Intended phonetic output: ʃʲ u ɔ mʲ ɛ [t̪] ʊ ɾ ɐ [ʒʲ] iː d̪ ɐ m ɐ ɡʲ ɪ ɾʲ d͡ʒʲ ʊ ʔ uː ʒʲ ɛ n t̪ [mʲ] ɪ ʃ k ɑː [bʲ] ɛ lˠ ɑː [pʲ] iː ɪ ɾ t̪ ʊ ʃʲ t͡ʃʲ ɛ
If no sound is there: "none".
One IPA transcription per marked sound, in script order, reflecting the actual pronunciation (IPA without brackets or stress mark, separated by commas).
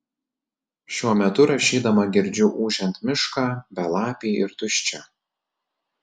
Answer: t̪, ʃʲ, mʲ, bʲ, pʲ